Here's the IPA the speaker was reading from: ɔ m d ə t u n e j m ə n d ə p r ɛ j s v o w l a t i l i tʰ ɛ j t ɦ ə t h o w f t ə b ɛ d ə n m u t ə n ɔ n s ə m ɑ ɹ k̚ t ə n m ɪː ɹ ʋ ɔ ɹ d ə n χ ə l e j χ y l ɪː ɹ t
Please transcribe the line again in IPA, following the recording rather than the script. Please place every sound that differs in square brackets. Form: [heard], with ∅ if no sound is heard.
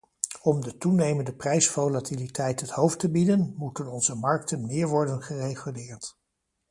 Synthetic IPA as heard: ɔ m d ə t u n e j m ə n d ə p r ɛ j s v o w l a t i l i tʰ ɛ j t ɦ ə t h o w f t ə b [i] d ə n m u t ə n ɔ n [z] ə m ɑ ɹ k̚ t ə n m ɪː ɹ ʋ ɔ ɹ d ə n χ ə [r] e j χ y l ɪː ɹ t